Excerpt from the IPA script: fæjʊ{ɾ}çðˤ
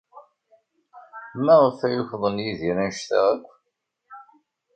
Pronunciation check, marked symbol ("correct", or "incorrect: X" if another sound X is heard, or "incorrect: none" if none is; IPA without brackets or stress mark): incorrect: none